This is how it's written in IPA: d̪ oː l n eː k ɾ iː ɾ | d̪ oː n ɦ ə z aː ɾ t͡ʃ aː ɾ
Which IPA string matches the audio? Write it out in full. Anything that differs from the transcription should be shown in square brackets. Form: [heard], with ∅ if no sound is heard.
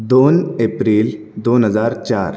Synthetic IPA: d̪ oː [∅] n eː [p] ɾ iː [l] | d̪ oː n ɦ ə z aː ɾ t͡ʃ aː ɾ